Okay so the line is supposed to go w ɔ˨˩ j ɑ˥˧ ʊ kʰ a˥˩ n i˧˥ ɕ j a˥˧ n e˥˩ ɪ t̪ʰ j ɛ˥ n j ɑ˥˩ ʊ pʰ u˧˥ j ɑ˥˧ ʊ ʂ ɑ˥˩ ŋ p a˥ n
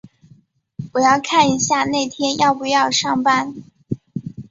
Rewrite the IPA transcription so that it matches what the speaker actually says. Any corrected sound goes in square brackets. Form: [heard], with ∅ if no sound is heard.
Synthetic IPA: w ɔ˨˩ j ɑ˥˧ ʊ kʰ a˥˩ n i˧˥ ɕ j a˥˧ n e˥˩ ɪ t̪ʰ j ɛ˥ n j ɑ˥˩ ʊ [p] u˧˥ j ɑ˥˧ ʊ ʂ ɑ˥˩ ŋ p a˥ n